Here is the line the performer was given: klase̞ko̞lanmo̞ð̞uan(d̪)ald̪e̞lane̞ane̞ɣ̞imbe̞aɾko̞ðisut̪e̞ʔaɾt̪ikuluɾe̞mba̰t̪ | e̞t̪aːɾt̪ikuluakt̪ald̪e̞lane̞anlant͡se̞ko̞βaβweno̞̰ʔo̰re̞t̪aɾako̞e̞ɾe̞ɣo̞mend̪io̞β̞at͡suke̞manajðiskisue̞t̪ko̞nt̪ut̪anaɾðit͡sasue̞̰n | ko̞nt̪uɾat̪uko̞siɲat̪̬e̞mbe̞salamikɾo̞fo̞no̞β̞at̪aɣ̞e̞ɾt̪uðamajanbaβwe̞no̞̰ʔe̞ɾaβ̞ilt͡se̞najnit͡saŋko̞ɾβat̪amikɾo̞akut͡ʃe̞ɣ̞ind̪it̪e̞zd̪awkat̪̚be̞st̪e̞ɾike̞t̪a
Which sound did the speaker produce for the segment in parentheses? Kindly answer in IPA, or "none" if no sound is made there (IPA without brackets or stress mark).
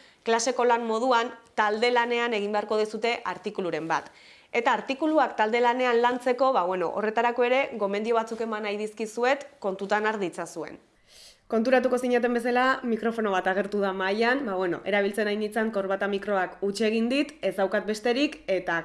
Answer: t̪